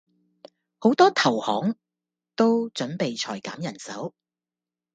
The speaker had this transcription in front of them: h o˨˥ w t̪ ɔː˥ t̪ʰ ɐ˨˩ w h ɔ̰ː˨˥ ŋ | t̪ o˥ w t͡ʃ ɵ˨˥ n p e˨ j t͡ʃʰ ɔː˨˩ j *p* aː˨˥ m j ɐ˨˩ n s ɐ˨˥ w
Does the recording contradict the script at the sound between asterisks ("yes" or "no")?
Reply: yes